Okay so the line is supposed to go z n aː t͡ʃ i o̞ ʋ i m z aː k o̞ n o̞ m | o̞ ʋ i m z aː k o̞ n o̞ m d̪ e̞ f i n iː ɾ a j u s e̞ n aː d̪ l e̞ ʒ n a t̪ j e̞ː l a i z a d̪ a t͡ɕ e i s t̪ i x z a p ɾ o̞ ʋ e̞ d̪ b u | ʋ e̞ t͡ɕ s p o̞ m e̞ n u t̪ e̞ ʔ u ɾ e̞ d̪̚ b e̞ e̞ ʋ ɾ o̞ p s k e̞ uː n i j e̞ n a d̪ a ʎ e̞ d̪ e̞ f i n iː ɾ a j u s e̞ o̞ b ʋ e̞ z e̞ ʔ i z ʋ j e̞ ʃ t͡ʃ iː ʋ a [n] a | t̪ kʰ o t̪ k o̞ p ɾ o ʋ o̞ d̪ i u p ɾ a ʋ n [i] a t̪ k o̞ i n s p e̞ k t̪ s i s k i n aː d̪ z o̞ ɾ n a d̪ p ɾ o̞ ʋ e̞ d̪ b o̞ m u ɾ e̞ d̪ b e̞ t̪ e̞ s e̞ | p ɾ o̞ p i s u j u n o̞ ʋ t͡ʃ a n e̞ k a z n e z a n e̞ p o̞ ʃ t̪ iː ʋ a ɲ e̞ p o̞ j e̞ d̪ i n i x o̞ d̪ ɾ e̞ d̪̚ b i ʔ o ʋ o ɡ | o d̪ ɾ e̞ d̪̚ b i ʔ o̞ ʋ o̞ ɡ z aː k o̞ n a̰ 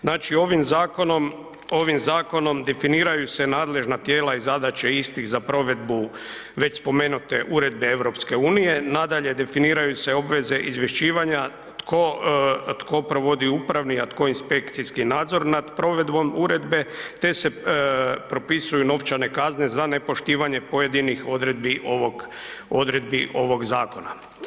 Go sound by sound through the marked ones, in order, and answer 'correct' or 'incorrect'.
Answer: incorrect: ɲ, correct

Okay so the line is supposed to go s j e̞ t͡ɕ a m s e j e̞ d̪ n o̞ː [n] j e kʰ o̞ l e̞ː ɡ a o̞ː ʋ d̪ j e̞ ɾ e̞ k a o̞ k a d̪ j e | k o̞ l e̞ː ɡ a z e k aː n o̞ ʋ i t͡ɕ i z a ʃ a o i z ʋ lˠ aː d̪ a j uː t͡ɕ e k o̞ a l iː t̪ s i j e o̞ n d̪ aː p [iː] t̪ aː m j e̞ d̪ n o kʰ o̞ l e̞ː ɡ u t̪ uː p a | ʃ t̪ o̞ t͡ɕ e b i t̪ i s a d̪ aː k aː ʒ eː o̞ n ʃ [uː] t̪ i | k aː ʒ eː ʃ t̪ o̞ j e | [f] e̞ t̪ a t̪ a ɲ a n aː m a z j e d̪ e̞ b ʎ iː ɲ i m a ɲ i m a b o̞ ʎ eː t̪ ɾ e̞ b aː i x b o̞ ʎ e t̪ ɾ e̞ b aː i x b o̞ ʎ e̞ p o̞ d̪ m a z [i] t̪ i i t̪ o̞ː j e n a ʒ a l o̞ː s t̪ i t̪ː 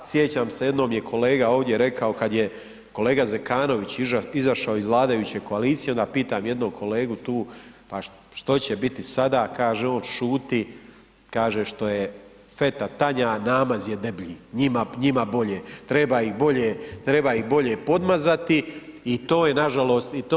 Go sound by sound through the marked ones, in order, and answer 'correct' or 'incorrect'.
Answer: incorrect: m, correct, correct, correct, incorrect: a

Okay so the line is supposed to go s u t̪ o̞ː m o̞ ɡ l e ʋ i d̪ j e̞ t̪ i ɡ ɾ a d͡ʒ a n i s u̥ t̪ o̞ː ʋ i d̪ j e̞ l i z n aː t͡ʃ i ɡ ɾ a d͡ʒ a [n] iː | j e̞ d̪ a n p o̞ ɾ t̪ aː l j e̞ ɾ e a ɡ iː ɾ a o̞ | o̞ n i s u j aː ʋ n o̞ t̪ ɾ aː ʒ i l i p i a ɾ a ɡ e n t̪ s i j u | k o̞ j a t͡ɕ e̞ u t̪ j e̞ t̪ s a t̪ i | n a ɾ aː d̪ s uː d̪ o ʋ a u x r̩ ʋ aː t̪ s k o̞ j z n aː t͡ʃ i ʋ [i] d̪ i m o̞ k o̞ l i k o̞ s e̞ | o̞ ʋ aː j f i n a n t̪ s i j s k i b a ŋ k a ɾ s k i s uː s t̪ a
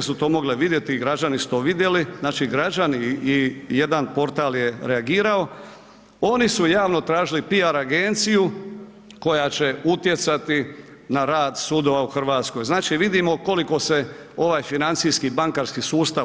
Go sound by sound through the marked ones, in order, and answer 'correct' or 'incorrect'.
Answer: correct, correct

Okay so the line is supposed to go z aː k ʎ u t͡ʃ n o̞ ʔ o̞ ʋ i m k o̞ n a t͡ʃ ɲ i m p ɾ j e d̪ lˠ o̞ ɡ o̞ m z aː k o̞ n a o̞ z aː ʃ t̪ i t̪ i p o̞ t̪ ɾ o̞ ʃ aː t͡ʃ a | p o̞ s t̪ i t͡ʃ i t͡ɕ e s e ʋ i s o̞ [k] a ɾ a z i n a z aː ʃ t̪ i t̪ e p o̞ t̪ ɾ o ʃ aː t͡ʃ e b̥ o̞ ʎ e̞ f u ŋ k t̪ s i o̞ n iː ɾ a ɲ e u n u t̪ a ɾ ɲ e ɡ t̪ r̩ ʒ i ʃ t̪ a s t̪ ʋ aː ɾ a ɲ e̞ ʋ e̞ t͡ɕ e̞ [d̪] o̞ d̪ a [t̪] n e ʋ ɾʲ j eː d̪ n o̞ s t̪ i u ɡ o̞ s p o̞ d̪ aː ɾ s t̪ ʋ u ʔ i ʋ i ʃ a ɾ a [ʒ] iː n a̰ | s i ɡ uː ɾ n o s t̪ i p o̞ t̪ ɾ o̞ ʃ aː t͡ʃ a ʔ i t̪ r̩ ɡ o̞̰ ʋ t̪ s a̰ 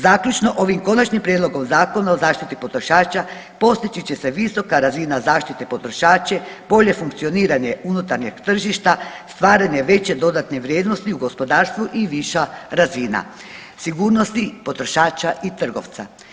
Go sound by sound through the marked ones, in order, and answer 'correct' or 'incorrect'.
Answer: correct, correct, correct, incorrect: z

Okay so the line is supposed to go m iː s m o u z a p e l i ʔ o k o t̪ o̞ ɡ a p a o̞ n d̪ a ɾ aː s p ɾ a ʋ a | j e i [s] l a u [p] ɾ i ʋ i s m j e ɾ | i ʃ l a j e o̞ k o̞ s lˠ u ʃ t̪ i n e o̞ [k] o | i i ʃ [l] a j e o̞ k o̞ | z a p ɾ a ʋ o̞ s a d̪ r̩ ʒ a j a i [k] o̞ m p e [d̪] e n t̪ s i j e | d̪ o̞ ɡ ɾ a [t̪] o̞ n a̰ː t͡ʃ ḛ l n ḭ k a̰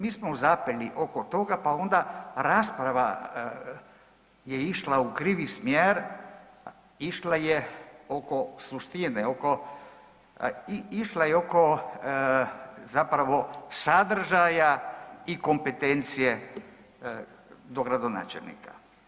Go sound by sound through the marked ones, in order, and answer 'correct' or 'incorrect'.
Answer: incorrect: ʃ, incorrect: k, correct, correct, correct, incorrect: t̪, incorrect: d̪

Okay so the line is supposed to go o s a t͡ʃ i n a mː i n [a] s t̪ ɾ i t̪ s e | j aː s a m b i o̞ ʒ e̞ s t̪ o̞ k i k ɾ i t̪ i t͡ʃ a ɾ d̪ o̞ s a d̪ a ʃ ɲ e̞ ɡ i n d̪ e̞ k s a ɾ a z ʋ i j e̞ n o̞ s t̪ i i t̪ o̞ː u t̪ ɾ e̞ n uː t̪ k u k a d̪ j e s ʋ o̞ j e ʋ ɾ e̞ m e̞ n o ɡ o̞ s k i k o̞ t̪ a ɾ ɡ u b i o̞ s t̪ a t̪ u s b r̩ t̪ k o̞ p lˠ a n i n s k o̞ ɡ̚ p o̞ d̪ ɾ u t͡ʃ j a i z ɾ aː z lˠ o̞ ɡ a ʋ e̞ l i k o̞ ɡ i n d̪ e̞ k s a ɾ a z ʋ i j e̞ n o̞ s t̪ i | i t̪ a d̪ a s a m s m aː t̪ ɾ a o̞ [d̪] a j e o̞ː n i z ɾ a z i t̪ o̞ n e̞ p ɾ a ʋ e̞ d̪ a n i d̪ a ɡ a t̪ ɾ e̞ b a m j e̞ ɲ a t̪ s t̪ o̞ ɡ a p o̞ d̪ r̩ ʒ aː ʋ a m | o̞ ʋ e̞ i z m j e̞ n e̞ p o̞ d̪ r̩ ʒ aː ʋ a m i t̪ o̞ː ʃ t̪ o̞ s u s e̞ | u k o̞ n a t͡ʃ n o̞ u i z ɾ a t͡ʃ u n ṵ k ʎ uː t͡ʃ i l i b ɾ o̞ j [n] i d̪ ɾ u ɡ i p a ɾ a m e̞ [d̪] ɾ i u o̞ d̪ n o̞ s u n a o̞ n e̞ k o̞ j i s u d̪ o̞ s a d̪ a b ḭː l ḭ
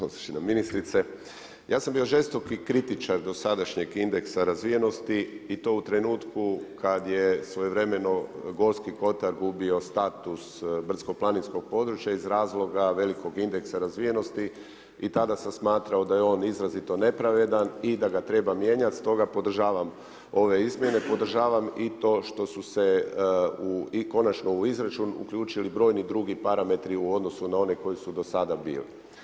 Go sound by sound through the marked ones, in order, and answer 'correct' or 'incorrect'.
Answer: incorrect: i, correct, correct, incorrect: t̪

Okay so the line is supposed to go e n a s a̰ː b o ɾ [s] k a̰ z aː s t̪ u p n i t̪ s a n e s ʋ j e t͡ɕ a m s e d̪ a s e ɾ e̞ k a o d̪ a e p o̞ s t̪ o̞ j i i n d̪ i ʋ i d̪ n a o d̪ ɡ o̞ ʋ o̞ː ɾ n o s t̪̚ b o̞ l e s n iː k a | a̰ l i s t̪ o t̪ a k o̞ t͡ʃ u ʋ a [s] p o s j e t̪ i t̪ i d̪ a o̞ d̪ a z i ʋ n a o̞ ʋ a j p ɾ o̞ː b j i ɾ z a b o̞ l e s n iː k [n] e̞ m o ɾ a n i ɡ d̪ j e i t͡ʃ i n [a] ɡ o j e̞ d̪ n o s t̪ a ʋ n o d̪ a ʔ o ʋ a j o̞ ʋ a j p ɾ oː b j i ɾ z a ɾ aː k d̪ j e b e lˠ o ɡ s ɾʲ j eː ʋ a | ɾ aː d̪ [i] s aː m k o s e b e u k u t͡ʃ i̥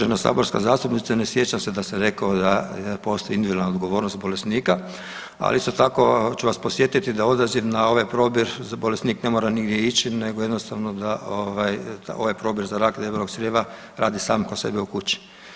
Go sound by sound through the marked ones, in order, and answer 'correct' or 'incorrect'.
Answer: correct, correct, correct, incorrect: e, correct

